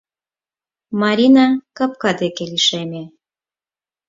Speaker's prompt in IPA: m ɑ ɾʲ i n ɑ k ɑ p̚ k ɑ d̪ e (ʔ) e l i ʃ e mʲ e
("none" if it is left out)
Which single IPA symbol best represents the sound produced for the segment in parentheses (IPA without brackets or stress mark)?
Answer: k